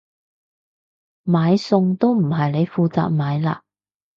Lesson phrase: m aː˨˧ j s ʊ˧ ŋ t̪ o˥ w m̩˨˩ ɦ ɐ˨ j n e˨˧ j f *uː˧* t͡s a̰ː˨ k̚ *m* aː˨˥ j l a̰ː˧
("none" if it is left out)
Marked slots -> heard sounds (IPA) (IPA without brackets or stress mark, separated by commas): uː˧, m